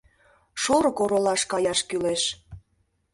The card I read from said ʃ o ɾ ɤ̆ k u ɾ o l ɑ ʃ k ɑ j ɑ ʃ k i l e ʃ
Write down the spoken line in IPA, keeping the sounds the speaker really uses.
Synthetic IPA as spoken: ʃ o ɾ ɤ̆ k o ɾ o l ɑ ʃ k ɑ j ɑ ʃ k y l e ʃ